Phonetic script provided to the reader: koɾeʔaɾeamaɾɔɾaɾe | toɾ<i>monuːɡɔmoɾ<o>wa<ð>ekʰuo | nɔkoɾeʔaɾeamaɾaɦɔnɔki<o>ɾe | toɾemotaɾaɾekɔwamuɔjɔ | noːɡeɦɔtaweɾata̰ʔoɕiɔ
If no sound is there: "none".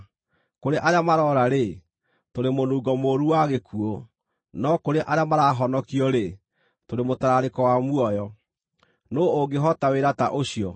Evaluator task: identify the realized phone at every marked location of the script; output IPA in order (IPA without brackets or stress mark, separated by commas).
e, u, ɣ, ɔ